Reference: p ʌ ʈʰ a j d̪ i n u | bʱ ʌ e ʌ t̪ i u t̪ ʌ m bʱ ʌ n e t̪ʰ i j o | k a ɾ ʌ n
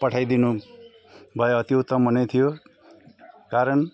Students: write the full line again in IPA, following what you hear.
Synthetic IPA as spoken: p ʌ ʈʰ a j d̪ i n u | bʱ ʌ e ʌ t̪ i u t̪ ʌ m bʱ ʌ n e t̪ʰ i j o | k a ɾ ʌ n